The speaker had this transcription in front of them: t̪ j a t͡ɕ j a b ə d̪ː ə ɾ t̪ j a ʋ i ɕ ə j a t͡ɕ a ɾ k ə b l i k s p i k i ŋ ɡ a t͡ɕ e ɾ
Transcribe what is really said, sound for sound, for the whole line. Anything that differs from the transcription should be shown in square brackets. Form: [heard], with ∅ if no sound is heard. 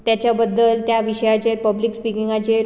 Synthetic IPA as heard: t̪ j a t͡ɕ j a b ə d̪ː ə [l] t̪ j a ʋ i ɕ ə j a t͡ɕ [e] ɾ [p] ə b l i k s p i k i ŋ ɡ a t͡ɕ e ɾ